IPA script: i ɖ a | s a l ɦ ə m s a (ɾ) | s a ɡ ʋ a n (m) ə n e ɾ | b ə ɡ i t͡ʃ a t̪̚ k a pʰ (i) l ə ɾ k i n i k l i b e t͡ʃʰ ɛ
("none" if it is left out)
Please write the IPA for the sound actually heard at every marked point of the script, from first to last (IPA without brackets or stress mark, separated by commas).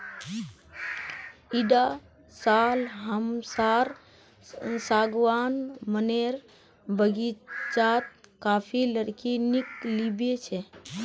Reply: ɾ, m, i